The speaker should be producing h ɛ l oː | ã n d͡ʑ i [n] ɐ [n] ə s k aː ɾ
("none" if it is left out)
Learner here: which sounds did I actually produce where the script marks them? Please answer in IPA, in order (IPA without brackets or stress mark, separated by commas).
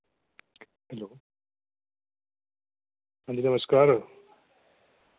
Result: n, m